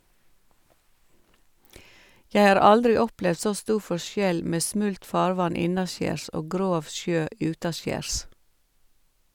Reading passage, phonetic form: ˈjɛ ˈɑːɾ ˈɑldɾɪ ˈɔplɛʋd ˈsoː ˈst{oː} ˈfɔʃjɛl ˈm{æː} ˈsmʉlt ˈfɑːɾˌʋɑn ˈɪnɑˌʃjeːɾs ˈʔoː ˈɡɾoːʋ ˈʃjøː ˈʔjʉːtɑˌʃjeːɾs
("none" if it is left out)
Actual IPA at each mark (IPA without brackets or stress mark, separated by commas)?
uː, eː